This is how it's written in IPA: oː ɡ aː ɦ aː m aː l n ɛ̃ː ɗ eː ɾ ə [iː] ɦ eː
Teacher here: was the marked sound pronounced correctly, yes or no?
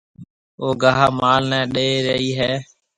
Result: yes